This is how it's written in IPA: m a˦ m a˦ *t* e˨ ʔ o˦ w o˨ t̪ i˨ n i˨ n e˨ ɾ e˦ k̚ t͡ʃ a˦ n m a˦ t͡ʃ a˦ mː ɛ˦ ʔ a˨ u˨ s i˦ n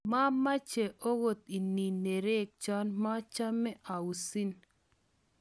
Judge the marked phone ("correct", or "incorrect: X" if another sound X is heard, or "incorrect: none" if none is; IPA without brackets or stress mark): incorrect: t͡ʃ